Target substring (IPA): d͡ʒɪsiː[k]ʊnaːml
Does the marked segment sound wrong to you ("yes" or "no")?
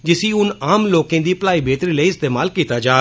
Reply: yes